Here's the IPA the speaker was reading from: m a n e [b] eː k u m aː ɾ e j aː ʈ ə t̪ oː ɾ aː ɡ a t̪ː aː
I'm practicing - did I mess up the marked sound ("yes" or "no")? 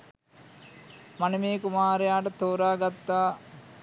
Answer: yes